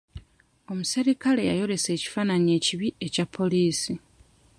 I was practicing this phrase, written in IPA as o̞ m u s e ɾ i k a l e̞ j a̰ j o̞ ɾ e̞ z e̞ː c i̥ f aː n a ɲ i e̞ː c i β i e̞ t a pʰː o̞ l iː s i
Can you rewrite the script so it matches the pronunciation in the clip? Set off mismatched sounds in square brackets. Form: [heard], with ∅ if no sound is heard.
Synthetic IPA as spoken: o̞ m u s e ɾ i k a l e̞ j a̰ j o̞ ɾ e̞ [s] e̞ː c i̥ f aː n a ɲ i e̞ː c i β i e̞ [c] a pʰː o̞ l iː s i